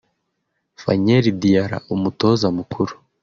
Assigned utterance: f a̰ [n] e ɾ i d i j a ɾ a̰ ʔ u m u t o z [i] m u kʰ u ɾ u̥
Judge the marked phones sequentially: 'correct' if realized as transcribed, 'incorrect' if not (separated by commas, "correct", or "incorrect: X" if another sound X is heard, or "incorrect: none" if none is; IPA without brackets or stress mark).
incorrect: ɲ, incorrect: a